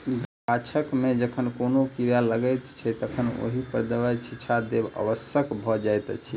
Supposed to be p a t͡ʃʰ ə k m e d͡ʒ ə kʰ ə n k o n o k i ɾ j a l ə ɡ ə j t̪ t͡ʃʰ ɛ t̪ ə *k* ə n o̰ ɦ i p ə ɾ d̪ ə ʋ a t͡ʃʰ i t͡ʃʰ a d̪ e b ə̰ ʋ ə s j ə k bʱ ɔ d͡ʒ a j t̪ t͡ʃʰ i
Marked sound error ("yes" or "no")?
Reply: yes